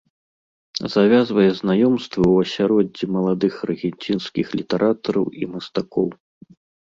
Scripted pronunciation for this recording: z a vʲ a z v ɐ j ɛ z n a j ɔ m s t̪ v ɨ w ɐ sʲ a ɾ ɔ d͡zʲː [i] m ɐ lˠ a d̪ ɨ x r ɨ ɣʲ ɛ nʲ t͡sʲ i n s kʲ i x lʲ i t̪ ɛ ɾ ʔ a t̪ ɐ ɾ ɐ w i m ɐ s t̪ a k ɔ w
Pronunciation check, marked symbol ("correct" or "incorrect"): correct